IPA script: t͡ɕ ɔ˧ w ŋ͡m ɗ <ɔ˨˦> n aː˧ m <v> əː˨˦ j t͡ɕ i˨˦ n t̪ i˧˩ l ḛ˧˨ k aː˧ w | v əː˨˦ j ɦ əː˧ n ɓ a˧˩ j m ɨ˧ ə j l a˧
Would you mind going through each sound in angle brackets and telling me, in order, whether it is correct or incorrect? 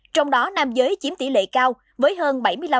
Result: correct, incorrect: z

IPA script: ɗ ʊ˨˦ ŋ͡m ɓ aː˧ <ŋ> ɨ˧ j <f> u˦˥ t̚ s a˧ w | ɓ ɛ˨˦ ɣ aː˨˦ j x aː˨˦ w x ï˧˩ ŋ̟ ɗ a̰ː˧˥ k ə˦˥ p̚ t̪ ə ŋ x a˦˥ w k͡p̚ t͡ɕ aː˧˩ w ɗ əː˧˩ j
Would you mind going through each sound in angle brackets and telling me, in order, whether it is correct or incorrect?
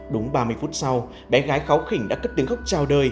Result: incorrect: m, correct

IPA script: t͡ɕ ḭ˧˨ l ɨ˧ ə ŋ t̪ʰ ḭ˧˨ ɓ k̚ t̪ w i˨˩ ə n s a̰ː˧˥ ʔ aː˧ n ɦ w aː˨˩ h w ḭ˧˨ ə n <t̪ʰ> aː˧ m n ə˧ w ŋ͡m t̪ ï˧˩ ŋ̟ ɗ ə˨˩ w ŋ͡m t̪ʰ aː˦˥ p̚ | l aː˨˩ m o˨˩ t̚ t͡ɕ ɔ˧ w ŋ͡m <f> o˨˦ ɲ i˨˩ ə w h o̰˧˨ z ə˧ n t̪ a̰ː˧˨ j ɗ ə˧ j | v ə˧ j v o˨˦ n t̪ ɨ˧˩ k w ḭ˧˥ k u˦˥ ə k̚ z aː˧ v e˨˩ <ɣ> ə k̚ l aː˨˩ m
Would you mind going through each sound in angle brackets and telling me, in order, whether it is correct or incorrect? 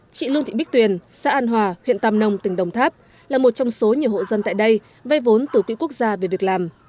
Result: incorrect: t̪, incorrect: s, incorrect: v

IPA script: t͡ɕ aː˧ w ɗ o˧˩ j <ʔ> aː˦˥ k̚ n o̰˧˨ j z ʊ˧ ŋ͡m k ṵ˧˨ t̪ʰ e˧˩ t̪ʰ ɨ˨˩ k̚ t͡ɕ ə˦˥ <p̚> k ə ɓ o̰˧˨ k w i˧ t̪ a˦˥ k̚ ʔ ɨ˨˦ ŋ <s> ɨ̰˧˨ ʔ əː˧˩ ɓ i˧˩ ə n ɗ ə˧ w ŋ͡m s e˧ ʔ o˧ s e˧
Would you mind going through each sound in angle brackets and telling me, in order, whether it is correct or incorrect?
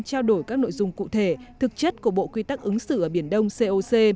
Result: incorrect: k, incorrect: t̚, correct

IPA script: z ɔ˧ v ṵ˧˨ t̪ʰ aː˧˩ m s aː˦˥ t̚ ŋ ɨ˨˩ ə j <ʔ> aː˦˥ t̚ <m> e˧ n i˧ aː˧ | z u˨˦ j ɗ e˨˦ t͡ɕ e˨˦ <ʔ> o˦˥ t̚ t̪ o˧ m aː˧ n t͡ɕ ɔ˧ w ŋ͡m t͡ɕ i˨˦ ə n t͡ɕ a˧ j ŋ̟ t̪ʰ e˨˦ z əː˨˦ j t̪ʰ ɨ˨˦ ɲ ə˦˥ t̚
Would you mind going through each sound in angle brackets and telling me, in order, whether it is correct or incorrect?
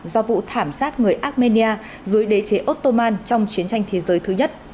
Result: correct, correct, correct

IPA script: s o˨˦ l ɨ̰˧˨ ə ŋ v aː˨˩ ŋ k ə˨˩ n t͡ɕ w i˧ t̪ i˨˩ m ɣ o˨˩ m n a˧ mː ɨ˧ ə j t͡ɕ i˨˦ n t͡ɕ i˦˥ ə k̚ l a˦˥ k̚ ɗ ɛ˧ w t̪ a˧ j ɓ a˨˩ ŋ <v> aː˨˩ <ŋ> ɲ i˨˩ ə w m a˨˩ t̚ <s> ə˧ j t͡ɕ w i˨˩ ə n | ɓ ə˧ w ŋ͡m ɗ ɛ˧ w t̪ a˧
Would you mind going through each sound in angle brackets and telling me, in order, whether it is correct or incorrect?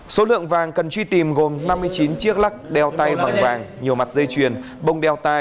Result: correct, correct, incorrect: z

